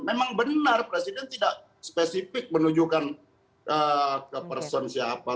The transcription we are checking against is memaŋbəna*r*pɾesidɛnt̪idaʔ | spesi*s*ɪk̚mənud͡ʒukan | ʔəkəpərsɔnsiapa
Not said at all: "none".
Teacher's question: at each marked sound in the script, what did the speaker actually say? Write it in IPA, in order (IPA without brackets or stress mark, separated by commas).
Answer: r, f